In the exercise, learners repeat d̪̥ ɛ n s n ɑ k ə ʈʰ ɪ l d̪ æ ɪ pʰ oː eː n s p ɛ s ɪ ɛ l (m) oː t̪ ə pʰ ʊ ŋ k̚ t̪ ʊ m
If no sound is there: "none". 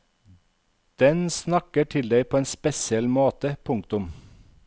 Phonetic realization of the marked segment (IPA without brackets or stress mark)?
m